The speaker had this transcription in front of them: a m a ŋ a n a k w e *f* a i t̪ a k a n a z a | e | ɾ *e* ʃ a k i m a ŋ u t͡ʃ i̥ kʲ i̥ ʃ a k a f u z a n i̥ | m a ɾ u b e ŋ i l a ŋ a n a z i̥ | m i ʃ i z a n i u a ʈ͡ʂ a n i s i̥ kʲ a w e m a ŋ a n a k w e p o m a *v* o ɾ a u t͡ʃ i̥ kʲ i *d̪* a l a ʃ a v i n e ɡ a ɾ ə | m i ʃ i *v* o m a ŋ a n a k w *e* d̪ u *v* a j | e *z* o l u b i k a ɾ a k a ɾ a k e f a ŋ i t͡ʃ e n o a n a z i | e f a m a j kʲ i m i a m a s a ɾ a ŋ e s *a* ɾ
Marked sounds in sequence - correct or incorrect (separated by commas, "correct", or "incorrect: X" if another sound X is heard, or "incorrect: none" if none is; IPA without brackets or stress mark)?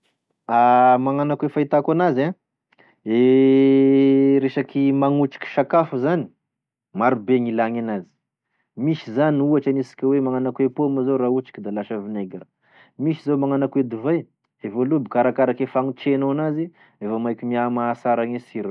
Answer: correct, correct, incorrect: z, correct, incorrect: z, correct, correct, incorrect: v, incorrect: i